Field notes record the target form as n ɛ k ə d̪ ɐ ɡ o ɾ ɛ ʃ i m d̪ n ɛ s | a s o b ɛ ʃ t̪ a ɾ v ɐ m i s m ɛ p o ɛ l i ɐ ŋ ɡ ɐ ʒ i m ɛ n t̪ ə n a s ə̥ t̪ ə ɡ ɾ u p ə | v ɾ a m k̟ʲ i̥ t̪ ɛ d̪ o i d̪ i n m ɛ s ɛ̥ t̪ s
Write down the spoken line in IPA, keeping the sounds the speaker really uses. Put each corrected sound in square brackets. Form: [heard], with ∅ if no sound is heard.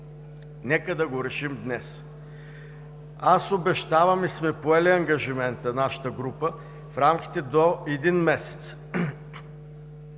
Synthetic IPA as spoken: n ɛ k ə d̪ ɐ ɡ o ɾ ɛ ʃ i m d̪ n ɛ s | a s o b ɛ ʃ t̪ a [∅] v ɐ m i s m ɛ p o ɛ l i ɐ ŋ ɡ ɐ ʒ i m ɛ n t̪ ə n a [ʃ] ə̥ t̪ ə ɡ ɾ u p ə | [f] ɾ a m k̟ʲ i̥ t̪ ɛ d̪ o [ɛ] d̪ i n m ɛ s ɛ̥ t̪ s